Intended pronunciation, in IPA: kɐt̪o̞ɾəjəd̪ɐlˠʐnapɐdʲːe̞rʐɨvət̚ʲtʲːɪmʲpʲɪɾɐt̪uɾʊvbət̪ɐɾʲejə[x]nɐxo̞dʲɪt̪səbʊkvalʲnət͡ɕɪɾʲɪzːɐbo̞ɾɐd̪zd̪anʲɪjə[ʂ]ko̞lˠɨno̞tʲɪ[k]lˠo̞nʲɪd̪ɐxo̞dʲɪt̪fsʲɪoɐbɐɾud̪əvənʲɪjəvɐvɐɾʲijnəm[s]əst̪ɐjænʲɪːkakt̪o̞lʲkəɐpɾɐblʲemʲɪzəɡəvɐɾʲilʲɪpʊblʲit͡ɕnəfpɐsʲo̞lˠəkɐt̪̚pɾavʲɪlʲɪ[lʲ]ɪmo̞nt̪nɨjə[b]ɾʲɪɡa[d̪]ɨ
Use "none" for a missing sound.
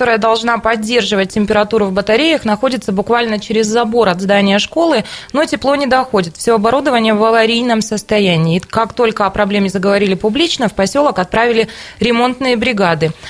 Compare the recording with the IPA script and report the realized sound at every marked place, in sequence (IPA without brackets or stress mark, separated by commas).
x, ʂ, p, s, ɾʲ, b, d̪